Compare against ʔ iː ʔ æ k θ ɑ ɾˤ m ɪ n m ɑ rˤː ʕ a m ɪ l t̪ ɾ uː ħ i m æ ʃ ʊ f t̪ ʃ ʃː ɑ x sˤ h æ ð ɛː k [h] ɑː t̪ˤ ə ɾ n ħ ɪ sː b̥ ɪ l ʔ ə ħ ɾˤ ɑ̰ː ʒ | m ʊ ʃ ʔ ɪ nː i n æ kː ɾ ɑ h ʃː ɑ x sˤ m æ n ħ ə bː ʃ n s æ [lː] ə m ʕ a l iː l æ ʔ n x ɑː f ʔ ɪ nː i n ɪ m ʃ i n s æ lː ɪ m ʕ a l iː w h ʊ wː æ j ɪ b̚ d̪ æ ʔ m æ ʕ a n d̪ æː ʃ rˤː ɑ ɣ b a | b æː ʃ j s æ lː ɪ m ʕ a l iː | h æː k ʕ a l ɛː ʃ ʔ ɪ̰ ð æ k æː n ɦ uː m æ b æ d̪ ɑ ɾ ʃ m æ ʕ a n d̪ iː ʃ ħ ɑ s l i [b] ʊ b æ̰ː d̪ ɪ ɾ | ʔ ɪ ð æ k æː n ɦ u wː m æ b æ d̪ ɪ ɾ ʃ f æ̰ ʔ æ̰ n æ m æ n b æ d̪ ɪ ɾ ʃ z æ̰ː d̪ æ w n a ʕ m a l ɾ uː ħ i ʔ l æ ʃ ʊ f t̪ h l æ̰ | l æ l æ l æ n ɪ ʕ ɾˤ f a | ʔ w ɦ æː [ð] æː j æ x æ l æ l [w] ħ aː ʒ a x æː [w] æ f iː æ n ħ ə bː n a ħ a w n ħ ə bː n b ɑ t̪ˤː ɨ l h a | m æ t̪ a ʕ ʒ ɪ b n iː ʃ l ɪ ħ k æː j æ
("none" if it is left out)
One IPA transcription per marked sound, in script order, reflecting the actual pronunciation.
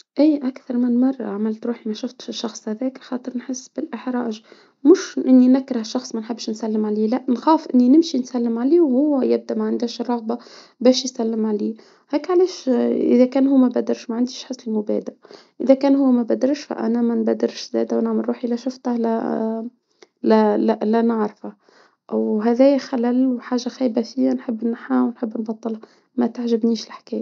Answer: x, lː, m, ð, w, b

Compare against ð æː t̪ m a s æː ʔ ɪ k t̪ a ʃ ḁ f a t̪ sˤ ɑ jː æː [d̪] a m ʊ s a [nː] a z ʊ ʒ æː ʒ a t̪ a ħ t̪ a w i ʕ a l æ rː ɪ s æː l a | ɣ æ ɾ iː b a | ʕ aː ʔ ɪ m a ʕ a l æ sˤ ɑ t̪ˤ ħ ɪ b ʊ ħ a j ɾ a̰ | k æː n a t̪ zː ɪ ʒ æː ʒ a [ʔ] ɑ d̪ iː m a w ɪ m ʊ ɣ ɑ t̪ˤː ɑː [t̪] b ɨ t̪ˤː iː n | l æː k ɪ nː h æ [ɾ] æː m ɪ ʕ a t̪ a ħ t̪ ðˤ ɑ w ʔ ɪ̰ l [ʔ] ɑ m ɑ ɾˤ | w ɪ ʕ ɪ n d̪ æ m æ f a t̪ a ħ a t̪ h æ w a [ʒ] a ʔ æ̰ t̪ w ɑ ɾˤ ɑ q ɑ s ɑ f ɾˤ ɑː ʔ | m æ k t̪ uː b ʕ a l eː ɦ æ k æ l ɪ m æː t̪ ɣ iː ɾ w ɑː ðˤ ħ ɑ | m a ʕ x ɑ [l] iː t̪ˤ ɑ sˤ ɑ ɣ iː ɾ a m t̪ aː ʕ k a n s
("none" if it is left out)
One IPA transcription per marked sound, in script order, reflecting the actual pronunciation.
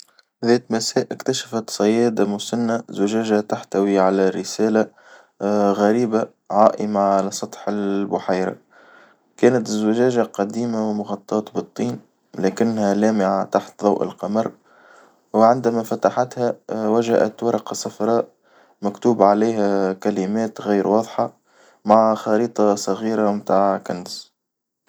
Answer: d̪, nː, q, t̪, l, q, ʒ, ɾ

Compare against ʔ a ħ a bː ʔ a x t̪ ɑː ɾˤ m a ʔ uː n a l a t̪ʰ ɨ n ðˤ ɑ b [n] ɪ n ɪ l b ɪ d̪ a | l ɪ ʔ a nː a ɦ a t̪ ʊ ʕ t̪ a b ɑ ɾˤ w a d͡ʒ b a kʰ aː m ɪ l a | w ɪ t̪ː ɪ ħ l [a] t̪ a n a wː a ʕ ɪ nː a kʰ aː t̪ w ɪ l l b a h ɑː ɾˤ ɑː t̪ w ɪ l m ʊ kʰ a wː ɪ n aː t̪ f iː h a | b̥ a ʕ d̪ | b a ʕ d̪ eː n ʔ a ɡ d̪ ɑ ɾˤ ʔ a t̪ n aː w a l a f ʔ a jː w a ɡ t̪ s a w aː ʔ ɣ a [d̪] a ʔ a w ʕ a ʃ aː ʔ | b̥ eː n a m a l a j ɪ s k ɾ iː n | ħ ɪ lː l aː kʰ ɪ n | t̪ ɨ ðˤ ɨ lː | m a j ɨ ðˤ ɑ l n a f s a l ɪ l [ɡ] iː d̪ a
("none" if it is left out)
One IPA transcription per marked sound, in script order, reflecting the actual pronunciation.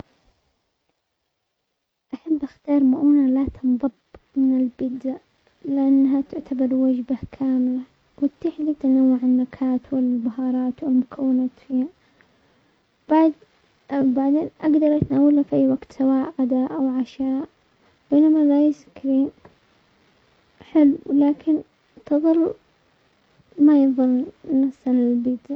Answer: m, i, d̪, b

